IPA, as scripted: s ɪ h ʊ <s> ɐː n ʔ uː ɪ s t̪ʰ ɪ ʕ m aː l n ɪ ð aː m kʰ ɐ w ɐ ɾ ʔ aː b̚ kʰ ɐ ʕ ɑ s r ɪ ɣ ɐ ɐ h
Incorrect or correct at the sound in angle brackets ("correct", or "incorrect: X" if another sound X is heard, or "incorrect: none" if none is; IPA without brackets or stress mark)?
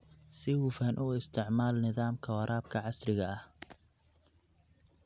incorrect: f